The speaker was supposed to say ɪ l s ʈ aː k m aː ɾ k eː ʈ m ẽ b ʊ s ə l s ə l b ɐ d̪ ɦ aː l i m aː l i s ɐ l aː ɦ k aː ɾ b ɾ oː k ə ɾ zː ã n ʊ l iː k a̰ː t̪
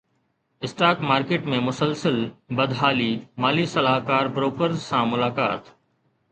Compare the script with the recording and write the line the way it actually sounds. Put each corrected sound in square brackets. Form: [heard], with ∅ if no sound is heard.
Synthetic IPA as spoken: ɪ [∅] s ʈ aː k m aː ɾ k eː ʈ m ẽ [m] ʊ s ə l s ə l b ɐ d̪ ɦ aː l i m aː l i s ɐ l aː ɦ k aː ɾ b ɾ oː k ə ɾ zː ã [m] ʊ l [aː] k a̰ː t̪